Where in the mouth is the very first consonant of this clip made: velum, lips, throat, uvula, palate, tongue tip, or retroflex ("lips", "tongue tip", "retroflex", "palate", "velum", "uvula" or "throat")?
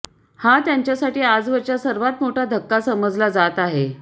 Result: throat